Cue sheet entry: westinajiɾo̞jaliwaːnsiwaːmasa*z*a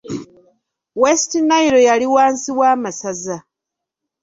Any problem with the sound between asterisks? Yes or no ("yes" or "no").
no